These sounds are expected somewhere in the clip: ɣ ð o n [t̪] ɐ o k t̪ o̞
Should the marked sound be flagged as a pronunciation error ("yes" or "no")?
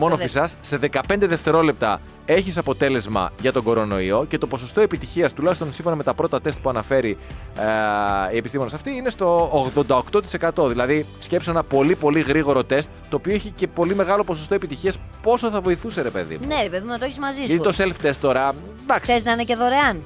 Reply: yes